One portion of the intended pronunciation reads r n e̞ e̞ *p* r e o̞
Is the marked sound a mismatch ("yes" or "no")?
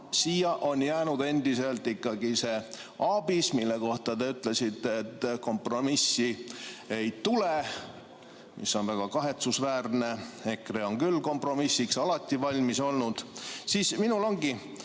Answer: yes